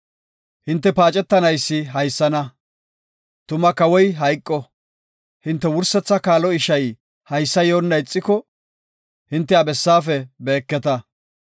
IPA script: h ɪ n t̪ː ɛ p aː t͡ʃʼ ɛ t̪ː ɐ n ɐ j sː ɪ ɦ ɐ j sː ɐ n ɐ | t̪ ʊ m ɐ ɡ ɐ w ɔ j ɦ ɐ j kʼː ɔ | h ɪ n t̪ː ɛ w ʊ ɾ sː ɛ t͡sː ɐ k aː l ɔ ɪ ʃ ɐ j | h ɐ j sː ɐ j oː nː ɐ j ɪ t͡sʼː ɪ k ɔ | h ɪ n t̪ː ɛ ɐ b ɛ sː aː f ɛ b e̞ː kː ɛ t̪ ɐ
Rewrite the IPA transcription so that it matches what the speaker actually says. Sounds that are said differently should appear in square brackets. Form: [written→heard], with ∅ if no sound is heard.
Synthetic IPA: h ɪ n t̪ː ɛ p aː t͡ʃʼ ɛ t̪ː ɐ n ɐ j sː ɪ ɦ ɐ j sː ɐ n ɐ | t̪ ʊ m ɐ [ɡ→k] ɐ w ɔ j ɦ ɐ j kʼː ɔ | h ɪ n t̪ː ɛ w ʊ ɾ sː ɛ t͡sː ɐ k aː l ɔ ɪ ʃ ɐ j | h ɐ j sː ɐ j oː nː ɐ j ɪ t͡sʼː ɪ k ɔ | h ɪ n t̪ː ɛ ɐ b ɛ sː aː f ɛ b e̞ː kː ɛ t̪ ɐ